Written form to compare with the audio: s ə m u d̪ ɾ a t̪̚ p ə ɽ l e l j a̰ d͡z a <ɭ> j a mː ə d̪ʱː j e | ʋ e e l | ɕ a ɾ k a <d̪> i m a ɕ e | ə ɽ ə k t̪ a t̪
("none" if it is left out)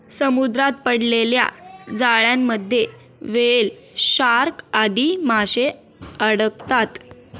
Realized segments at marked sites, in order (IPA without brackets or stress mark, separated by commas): ɭ, d̪